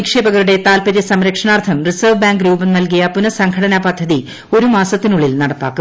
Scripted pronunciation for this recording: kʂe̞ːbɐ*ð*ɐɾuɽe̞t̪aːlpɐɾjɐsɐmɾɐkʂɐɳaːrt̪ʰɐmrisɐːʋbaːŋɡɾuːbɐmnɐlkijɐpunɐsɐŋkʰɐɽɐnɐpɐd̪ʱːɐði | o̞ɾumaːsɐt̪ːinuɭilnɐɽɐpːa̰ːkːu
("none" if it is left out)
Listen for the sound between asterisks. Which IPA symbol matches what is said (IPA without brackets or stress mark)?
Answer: ɣ